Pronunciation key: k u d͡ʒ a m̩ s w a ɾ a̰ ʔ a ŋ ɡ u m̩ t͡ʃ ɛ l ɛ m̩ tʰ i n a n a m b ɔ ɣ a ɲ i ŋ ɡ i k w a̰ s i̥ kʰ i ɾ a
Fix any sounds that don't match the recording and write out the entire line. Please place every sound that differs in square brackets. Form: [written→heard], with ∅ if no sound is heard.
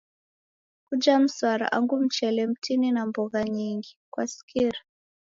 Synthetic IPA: k u d͡ʒ a m̩ s w a ɾ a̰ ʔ a ŋ ɡ u m̩ t͡ʃ ɛ l ɛ m̩ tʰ i n [a→i] n a m b ɔ ɣ a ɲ i ŋ ɡ i k w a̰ s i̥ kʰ i ɾ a